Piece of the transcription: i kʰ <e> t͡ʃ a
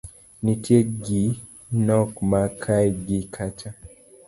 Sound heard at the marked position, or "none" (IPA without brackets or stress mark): a